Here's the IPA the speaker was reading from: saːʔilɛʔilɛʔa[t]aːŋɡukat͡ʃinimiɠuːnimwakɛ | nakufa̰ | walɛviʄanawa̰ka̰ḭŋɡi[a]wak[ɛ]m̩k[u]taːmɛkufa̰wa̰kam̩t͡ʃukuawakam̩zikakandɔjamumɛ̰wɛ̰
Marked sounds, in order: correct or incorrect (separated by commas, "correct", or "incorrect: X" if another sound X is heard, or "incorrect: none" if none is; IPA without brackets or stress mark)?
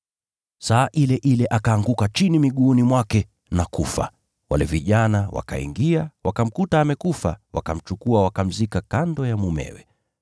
incorrect: k, correct, incorrect: a, correct